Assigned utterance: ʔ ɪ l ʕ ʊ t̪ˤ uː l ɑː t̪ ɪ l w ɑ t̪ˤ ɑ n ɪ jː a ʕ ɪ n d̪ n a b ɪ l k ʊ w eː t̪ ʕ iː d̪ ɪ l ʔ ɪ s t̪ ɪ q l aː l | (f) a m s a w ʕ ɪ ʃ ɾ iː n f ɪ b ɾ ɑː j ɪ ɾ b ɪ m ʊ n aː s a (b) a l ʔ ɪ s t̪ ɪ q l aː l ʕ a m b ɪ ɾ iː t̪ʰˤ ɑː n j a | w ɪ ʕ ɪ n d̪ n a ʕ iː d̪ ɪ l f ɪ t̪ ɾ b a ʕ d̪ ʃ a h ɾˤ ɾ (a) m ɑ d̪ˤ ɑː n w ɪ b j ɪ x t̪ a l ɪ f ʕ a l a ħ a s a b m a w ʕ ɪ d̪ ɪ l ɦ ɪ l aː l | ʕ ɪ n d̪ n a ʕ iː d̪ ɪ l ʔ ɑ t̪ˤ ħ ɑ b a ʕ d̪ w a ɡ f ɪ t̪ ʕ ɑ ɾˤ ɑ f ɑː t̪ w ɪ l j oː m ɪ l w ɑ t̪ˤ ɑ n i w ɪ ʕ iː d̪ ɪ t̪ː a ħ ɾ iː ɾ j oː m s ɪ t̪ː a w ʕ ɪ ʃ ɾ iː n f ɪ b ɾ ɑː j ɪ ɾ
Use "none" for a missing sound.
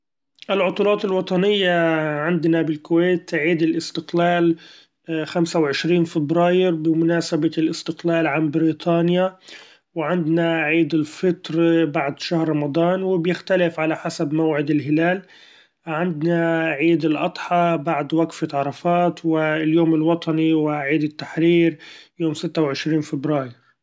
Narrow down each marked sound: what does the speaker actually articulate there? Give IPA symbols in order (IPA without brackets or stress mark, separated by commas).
x, b, ɑ